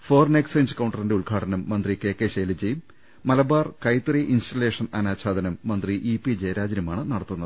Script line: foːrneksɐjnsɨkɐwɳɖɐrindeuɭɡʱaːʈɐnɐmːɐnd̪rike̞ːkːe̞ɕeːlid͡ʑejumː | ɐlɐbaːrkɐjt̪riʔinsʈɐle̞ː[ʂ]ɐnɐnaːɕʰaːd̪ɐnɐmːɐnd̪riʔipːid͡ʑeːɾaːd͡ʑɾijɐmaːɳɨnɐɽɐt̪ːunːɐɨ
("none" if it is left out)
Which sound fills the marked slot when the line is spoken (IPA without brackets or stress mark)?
ʂ